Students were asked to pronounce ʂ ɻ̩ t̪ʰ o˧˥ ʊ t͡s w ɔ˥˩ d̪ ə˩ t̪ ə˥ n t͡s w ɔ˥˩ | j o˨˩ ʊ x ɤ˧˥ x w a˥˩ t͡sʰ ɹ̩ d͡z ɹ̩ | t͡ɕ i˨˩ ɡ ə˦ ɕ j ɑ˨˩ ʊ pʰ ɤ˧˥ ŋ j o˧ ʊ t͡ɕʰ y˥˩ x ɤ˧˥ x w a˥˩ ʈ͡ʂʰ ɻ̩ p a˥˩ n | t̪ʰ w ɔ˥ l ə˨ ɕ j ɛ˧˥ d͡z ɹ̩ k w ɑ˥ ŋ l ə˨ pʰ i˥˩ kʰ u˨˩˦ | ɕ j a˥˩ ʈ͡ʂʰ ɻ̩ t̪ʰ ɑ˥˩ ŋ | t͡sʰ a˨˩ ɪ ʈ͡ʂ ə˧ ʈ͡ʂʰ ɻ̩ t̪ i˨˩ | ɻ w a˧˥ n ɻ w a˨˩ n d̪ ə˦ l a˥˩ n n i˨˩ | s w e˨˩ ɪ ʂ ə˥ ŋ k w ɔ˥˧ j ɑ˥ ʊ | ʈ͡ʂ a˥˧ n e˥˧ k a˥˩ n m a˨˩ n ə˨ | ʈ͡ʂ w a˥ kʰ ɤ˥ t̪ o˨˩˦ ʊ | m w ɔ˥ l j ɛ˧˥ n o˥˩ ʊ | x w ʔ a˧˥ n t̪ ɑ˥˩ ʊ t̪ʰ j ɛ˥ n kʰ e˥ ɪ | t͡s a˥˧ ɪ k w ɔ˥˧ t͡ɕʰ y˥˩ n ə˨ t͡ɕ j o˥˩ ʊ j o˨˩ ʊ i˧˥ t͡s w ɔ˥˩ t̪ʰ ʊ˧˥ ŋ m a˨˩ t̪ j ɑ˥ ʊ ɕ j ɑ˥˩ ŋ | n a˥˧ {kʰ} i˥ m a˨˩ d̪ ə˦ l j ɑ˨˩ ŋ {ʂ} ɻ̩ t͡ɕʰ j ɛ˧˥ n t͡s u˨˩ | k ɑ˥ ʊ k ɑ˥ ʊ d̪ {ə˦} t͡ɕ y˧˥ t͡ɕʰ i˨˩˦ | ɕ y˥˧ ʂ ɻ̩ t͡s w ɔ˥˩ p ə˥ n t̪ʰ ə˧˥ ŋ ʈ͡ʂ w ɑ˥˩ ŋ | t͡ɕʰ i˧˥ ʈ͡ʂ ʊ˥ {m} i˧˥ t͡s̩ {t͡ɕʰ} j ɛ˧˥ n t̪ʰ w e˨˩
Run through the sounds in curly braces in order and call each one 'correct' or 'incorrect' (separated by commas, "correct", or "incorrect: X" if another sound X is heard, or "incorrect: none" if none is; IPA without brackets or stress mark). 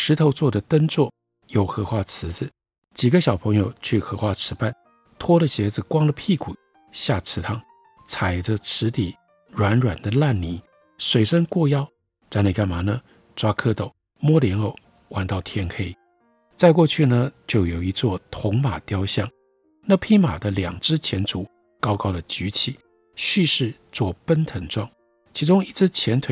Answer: incorrect: pʰ, incorrect: ʈ͡ʂ, incorrect: ə˨, incorrect: ŋ, correct